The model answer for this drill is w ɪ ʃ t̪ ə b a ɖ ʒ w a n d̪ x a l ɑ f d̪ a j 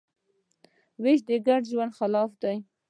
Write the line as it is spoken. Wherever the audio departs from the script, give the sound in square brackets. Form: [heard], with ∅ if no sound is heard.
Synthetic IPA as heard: w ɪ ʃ [d̪] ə [ɡ] a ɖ ʒ w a n d̪ x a l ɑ f d̪ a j